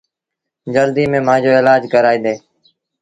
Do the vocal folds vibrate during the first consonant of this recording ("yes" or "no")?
yes